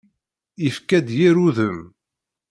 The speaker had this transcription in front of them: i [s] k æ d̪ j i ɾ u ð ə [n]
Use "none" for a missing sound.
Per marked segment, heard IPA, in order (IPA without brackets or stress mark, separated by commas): f, m